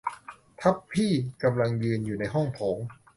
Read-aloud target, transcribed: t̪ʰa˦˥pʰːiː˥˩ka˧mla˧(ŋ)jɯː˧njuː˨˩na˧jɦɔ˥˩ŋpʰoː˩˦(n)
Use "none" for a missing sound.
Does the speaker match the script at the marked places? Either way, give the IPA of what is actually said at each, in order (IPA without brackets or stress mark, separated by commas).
ŋ, ŋ